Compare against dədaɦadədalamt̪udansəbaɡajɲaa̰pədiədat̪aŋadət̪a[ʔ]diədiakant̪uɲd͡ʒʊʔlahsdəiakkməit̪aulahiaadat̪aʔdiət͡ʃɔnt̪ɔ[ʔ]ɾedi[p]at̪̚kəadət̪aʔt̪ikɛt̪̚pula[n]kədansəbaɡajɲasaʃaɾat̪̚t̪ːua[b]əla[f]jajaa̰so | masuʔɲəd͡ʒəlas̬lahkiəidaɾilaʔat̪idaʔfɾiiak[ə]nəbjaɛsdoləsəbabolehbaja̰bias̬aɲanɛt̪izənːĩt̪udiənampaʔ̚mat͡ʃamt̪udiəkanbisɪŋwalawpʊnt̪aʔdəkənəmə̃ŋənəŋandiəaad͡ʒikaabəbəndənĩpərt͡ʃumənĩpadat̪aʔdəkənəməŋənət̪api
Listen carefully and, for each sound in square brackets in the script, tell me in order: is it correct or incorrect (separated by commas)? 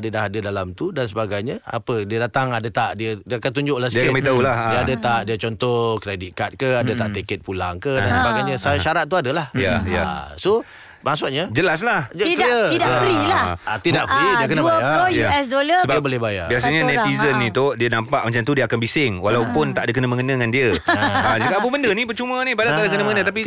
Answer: correct, incorrect, incorrect, incorrect, incorrect, incorrect, correct